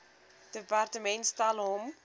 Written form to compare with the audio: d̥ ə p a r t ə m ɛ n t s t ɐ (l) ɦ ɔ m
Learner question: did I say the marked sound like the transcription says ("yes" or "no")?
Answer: yes